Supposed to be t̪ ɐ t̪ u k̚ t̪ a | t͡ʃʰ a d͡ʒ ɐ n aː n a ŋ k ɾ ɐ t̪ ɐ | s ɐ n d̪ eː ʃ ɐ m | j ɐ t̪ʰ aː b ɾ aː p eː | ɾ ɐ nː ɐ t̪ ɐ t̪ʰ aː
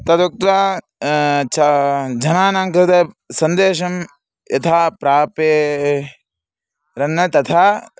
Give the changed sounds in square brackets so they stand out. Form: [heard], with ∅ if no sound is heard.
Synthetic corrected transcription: t̪ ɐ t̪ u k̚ t̪ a | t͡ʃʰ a d͡ʒ ɐ n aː n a ŋ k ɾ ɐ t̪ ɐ | s ɐ n d̪ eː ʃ ɐ m | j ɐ t̪ʰ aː [p] ɾ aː p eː | ɾ ɐ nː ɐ t̪ ɐ t̪ʰ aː